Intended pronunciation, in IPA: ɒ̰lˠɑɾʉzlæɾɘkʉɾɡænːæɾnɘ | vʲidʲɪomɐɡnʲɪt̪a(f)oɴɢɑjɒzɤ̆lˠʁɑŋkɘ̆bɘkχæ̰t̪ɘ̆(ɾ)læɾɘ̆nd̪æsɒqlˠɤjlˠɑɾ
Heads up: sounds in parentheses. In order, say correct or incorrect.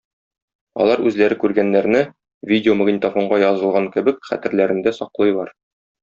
correct, correct

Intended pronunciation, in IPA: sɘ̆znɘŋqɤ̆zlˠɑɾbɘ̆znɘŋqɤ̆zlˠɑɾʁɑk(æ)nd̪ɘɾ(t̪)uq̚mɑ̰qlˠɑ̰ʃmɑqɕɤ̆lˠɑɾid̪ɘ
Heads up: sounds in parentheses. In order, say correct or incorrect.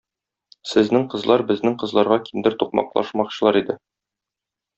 incorrect, correct

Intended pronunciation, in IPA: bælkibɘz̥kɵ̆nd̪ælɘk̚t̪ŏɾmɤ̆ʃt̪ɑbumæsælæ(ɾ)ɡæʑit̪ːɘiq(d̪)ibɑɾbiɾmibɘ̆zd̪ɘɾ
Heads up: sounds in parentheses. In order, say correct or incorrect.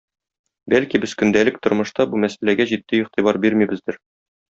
incorrect, incorrect

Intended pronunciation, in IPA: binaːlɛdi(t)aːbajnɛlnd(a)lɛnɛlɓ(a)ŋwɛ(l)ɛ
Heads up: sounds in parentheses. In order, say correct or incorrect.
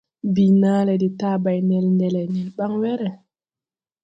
correct, incorrect, correct, incorrect

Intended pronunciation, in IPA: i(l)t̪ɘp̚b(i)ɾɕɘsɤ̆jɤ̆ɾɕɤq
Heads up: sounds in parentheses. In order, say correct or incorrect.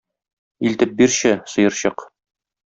correct, correct

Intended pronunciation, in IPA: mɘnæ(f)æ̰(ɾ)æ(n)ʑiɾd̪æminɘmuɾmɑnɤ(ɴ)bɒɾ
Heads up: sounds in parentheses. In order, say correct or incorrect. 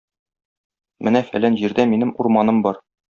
correct, incorrect, correct, incorrect

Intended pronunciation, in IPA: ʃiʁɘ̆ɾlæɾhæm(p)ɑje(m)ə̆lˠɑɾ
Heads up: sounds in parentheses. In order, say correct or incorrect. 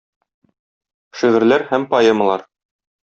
correct, correct

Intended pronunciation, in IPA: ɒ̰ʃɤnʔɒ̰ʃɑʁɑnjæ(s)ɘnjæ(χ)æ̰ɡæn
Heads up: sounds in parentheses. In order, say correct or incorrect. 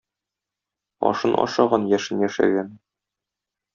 incorrect, incorrect

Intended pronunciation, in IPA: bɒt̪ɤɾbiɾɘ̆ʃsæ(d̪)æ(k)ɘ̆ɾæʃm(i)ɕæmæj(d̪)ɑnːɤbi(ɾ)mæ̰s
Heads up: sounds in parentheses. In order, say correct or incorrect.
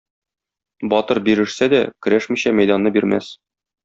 correct, correct, correct, correct, correct

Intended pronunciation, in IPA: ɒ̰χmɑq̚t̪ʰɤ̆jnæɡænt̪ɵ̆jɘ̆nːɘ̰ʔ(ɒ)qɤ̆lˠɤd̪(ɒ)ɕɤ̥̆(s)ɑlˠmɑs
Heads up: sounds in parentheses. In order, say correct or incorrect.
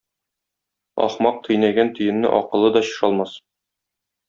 correct, correct, incorrect

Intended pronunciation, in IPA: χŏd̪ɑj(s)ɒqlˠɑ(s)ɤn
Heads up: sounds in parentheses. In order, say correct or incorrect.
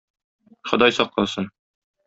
correct, correct

